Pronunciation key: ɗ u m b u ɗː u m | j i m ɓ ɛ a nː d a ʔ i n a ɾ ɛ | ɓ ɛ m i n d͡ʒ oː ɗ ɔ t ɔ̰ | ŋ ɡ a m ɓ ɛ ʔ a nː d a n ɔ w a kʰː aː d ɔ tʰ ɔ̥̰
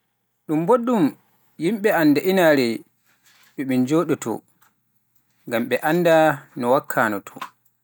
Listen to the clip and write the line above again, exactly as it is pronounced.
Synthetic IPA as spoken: ɗ u m b o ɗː u m | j i m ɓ ɛ a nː d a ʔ i n a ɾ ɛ | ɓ ɛ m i n d͡ʒ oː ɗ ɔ t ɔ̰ | ŋ ɡ a m ɓ ɛ ʔ a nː d a n ɔ w a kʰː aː n ɔ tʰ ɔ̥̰